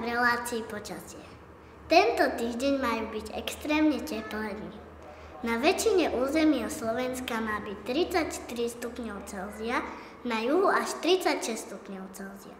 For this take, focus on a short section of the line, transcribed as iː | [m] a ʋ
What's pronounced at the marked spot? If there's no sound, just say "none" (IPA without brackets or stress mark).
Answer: n